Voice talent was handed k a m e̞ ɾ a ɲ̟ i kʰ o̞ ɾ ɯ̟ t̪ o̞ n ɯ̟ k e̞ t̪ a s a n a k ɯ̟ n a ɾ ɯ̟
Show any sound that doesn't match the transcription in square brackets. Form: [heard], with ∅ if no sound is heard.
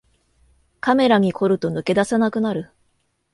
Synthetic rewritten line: k a m e̞ ɾ a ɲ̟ i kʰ o̞ ɾ ɯ̟ t̪ o̞ n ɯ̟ k e̞ [d̪] a s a n a k ɯ̟ n a ɾ ɯ̟

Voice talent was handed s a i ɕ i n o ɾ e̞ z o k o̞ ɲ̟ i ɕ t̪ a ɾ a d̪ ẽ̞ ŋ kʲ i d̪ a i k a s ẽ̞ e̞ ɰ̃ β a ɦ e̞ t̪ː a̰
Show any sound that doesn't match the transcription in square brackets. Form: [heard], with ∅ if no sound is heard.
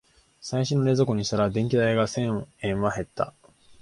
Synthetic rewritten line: s a i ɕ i n o ɾ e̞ z o k o̞ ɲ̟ i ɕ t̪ a ɾ a d̪ ẽ̞ ŋ kʲ i d̪ a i [ɡ] a s ẽ̞ [ẽ̞] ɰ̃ β a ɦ e̞ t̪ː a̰

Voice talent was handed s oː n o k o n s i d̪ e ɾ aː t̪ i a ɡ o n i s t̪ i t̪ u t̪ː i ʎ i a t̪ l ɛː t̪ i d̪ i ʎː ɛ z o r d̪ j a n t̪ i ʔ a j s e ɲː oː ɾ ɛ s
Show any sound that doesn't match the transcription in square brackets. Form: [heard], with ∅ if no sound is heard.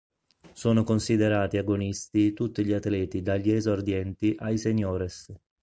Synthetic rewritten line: s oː n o k o n s i d̪ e ɾ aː t̪ i a ɡ o n i s t̪ i t̪ u t̪ː i ʎ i a t̪ l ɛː t̪ i d̪ [a] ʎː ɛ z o r d̪ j [ɛ] n t̪ i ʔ a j s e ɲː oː ɾ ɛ s

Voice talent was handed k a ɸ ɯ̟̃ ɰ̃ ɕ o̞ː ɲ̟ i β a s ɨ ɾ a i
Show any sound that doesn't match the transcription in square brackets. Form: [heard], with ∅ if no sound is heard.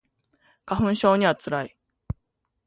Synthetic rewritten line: k a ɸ ɯ̟̃ ɰ̃ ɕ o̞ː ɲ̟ i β a [t͡s] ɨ ɾ a i

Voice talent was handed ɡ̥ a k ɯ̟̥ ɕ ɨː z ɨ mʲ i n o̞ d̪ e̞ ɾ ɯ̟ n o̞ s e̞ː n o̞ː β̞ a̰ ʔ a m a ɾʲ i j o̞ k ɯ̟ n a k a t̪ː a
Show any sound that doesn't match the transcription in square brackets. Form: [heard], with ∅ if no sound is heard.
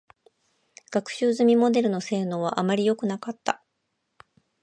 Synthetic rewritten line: ɡ̥ a k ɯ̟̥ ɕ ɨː z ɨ mʲ i [m] o̞ d̪ e̞ ɾ ɯ̟ n o̞ s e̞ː n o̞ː β̞ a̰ ʔ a m a ɾʲ i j o̞ k ɯ̟ n a k a t̪ː a

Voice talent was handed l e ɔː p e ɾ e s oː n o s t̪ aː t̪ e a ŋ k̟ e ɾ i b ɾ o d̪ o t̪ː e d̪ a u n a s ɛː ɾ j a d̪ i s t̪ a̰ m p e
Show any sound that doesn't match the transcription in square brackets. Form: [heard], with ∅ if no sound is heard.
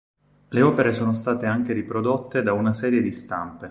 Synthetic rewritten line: l e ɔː p e ɾ e s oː n o s t̪ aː t̪ e a ŋ k̟ e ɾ i [p] ɾ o d̪ o t̪ː e d̪ a u n a s ɛː ɾ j [e] d̪ i s t̪ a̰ m p e

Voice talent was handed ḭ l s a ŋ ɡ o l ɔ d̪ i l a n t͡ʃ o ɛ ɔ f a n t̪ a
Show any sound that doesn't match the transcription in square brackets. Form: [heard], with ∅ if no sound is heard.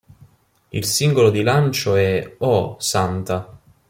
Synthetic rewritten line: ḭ l s [i] ŋ ɡ o l [o] d̪ i l a n t͡ʃ o ɛ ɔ [s] a n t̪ a

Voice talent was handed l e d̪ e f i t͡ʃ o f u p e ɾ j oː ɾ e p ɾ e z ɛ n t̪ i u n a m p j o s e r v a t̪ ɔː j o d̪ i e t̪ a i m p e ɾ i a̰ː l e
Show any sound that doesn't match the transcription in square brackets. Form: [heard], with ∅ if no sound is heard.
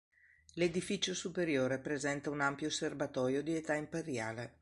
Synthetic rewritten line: l e d̪ [i] f i t͡ʃ o [s] u p e ɾ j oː ɾ e p ɾ e z ɛ n t̪ [a] u n a m p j o s e r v a t̪ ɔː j o d̪ i e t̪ a i m p e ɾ [j] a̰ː l e

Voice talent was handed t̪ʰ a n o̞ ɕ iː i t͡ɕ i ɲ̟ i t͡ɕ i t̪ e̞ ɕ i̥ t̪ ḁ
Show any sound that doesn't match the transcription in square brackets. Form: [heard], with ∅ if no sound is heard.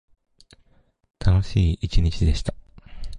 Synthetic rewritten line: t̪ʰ a n o̞ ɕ iː i t͡ɕ i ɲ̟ i t͡ɕ i [d̪] e̞ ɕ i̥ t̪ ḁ

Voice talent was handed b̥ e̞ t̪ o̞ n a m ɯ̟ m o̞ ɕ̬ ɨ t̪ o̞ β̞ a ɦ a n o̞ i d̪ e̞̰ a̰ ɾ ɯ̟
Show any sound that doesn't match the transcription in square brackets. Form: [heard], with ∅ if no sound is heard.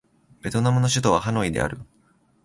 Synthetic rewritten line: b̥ e̞ t̪ o̞ n a m ɯ̟ [n] o̞ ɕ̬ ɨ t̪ o̞ β̞ a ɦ a n o̞ i d̪ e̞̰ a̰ ɾ ɯ̟

